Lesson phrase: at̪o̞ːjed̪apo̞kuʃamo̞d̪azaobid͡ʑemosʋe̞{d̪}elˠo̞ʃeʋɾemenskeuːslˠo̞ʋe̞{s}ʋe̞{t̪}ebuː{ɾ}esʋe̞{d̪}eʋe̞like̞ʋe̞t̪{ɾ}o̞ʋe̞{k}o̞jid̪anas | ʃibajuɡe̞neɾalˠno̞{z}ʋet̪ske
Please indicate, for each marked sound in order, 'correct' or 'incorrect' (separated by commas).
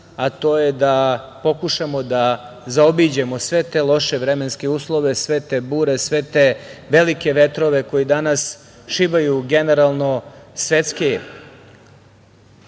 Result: incorrect, correct, correct, correct, incorrect, correct, correct, incorrect